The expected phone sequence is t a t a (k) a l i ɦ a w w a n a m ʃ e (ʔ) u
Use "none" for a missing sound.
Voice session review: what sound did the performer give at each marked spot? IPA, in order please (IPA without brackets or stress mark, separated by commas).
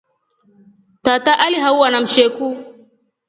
ʔ, k